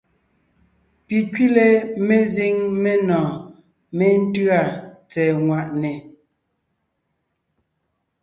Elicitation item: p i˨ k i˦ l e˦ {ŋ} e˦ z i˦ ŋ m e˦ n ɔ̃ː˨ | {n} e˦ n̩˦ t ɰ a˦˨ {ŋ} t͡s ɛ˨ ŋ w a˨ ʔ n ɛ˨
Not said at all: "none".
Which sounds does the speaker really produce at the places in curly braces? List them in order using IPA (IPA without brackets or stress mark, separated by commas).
m, m, none